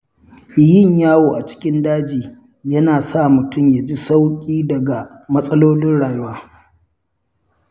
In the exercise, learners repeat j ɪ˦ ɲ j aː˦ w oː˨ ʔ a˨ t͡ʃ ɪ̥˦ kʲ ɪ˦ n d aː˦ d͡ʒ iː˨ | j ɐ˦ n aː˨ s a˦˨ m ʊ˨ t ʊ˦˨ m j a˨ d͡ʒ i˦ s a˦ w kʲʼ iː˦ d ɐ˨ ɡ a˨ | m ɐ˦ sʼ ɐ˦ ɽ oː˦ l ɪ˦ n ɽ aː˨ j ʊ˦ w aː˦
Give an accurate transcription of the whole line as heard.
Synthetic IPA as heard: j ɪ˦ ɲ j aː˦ w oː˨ ʔ a˨ t͡ʃ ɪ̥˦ kʲ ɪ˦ n d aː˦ d͡ʒ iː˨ | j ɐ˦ n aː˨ s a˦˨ m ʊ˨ t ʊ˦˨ m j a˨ d͡ʒ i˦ s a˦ w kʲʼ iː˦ d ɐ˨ ɡ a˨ | m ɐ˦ sʼ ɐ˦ l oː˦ l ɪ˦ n ɽ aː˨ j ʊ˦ w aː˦

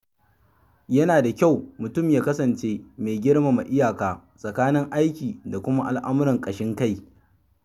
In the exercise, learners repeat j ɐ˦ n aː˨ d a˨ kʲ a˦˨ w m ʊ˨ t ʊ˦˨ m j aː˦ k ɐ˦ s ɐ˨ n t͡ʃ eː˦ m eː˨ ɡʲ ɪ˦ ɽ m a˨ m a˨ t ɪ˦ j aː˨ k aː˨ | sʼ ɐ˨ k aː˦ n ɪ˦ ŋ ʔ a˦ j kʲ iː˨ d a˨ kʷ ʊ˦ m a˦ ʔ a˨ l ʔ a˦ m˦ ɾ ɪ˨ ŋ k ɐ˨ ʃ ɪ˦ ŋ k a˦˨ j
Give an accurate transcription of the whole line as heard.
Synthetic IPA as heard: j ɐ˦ n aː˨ d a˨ kʲ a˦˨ w m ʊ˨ t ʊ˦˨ m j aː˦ k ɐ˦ s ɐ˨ n t͡ʃ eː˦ m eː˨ ɡʲ ɪ˦ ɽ m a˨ m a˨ ʔ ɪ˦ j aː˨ k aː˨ | sʼ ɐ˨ k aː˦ n ɪ˦ ŋ ʔ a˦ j kʲ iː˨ d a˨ kʷ ʊ˦ m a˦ ʔ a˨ l ʔ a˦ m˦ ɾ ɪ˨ ŋ kʼ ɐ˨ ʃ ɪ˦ ŋ k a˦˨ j

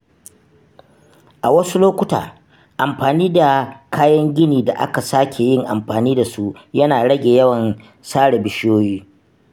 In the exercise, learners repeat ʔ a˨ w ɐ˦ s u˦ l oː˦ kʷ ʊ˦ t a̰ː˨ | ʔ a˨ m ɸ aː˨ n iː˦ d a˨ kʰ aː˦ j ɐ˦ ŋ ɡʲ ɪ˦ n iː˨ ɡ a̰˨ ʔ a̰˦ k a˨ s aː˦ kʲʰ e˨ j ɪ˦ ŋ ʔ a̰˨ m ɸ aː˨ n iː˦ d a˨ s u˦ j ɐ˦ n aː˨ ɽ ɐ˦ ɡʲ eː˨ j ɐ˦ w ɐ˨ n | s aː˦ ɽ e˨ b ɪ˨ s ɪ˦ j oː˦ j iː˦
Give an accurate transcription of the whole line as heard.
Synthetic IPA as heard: ʔ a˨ w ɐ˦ s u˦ l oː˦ kʷ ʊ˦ t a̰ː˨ | ʔ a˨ m ɸ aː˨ n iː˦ d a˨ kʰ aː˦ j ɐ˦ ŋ ɡʲ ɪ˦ n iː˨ d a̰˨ ʔ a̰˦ k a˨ s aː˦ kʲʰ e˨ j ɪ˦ ŋ ʔ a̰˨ m ɸ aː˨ n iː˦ d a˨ s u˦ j ɐ˦ n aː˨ ɽ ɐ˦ ɡʲ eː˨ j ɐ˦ w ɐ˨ n | s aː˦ ɽ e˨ b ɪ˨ ʃ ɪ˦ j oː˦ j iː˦

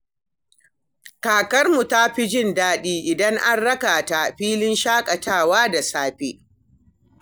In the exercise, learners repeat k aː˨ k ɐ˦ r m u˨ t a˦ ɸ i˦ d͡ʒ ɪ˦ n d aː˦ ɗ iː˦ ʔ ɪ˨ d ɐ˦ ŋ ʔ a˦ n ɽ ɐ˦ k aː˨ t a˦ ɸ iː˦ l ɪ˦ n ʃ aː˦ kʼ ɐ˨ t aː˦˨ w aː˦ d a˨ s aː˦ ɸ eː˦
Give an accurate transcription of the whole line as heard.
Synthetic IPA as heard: k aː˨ k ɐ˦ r m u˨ t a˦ ɸ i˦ d͡ʒ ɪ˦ n d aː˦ ɗ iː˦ ʔ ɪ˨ d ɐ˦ ŋ ʔ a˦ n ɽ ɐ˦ k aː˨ t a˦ ɸ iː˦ l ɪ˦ n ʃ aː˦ kʼ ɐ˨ t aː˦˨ w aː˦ d a˨ s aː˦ ɸ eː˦

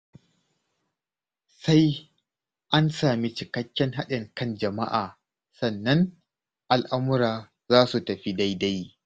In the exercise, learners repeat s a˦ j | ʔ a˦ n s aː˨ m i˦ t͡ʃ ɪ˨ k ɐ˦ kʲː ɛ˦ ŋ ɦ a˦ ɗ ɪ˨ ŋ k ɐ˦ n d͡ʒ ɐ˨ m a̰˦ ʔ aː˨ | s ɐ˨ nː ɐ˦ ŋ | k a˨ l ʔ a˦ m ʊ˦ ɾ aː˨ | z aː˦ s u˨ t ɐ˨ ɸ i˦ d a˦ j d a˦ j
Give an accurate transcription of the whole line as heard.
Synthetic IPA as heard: s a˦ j | ʔ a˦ n s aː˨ m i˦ t͡ʃ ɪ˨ k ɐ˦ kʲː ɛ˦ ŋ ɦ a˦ ɗ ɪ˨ ŋ k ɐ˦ n d͡ʒ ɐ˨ m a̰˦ ʔ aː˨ | s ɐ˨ nː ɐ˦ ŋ | ʔ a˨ l ʔ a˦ m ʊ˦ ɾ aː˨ | z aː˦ s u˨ t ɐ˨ ɸ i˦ d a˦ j d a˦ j

